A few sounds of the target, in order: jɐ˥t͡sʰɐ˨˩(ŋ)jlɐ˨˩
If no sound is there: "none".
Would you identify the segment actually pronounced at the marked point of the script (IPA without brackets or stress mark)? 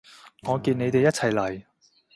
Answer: none